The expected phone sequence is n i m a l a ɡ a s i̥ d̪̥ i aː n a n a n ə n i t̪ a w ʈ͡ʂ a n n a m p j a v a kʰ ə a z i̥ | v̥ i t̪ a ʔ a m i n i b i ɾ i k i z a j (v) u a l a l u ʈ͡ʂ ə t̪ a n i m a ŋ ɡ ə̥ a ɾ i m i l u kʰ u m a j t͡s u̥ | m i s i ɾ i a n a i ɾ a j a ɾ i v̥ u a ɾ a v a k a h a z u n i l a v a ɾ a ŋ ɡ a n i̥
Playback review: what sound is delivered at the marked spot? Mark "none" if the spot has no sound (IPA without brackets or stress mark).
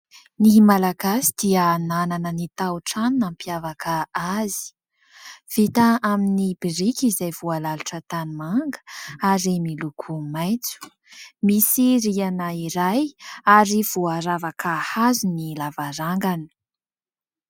v